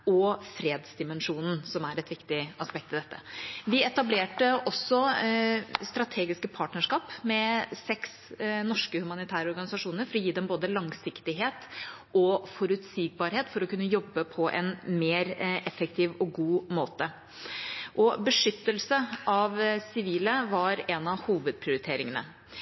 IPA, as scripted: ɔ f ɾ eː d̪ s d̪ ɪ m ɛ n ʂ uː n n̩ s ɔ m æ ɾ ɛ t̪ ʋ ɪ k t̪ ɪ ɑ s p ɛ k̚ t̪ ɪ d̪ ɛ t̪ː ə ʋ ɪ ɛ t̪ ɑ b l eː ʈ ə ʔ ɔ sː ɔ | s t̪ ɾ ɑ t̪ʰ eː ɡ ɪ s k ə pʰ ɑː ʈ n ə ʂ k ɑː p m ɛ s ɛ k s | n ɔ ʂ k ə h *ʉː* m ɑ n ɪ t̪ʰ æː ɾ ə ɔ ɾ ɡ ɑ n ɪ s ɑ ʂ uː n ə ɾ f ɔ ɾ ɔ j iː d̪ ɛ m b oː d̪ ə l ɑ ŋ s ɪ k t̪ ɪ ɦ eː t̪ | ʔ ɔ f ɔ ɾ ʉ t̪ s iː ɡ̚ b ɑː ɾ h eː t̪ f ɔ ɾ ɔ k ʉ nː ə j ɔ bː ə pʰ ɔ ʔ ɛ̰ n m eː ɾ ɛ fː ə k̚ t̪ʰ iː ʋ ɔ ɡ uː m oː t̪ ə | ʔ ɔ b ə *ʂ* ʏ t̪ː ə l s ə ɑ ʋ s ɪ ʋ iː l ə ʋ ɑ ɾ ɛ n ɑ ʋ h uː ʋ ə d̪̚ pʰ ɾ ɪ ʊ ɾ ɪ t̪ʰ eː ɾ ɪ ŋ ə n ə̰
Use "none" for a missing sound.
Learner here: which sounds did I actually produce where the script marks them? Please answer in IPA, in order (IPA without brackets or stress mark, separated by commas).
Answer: ʉ, ʂ